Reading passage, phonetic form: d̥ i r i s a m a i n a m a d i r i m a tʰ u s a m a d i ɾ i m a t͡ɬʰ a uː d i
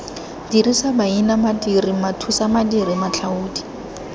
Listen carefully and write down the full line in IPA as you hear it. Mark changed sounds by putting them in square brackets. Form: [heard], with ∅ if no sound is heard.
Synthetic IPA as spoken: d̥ i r i s a [b] a i n a m a d i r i m a tʰ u s a m a d i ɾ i m a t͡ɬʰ a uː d i